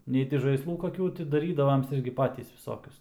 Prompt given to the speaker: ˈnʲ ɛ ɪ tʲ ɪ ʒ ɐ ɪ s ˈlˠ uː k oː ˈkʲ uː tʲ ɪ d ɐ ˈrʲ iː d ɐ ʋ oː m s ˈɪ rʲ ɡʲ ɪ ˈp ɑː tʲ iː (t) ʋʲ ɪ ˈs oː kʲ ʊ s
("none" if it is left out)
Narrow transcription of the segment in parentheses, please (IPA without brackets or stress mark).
s